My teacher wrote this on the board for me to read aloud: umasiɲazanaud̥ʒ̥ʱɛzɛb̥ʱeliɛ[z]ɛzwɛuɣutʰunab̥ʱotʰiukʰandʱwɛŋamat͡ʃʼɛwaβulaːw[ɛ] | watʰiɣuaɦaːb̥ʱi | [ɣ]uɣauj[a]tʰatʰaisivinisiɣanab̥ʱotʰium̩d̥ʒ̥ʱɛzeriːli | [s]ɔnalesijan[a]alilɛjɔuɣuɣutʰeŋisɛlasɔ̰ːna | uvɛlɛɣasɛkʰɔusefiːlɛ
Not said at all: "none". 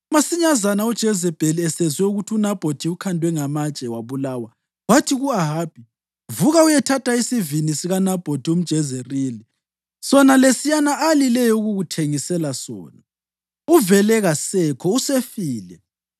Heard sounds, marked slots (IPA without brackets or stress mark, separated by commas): s, a, v, ɛ, s, a